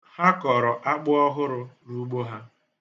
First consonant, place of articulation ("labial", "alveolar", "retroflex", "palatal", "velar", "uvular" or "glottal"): glottal